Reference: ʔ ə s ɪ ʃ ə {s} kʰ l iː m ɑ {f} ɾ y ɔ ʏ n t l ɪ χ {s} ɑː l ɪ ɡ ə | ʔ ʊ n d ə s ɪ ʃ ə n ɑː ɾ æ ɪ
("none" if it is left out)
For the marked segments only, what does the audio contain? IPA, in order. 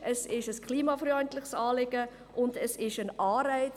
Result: s, f, s

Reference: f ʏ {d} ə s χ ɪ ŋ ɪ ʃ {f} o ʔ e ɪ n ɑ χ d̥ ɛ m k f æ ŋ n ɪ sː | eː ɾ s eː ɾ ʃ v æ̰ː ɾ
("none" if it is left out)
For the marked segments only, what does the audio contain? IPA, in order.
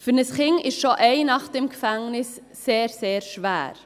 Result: n, ʃ

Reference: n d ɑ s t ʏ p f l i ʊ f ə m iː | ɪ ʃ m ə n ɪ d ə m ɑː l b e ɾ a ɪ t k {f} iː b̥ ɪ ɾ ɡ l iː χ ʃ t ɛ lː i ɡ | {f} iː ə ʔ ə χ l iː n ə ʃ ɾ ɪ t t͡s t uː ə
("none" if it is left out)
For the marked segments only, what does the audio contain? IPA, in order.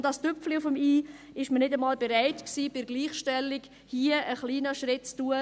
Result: s, h

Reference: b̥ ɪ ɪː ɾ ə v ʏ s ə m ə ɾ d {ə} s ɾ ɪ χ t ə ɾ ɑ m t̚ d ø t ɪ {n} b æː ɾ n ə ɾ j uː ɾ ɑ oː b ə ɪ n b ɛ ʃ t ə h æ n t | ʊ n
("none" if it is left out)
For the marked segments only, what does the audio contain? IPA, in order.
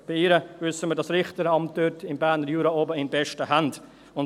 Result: ɑ, m

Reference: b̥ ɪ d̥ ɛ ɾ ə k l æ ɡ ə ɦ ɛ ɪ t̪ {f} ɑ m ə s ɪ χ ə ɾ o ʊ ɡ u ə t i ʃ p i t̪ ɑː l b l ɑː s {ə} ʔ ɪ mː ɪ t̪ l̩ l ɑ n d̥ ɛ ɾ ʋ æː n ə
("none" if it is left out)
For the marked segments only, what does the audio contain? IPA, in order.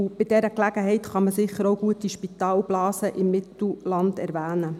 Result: χ, ə

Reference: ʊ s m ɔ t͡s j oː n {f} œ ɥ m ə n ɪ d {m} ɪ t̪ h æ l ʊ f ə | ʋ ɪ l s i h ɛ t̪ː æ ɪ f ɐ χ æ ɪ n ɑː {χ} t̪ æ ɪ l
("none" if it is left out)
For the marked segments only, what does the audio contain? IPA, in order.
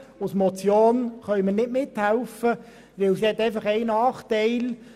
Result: χ, m, χ

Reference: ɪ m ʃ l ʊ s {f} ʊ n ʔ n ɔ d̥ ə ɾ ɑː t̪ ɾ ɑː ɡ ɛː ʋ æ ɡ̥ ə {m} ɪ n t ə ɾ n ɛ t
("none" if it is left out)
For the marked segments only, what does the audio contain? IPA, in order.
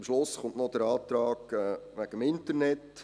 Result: χ, m

